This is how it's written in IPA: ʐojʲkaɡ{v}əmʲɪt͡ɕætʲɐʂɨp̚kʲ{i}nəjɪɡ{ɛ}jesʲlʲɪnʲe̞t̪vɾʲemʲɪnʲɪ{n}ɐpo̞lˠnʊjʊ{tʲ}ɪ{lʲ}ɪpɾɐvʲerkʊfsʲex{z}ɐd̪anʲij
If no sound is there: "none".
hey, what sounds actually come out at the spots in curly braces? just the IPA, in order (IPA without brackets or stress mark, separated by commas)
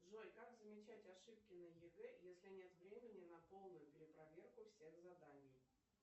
z, ɪ, ɛ, n, pʲ, ɾʲ, z